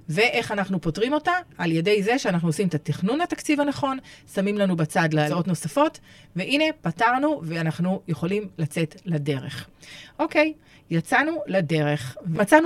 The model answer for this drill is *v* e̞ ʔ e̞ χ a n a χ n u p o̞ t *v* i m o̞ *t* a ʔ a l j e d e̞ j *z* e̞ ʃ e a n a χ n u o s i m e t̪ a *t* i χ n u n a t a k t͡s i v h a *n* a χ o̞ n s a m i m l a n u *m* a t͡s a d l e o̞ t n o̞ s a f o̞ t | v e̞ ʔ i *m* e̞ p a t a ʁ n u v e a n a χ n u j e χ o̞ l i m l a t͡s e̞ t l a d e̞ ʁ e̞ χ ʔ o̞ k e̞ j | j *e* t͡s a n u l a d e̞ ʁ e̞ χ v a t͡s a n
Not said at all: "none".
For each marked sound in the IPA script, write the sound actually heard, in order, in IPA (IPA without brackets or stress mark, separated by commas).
v, ʁ, t, z, t, n, b, n, a